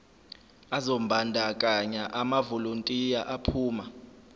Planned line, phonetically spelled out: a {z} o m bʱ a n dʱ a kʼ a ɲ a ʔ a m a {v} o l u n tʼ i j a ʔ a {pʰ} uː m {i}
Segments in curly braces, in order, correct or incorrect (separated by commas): correct, correct, correct, incorrect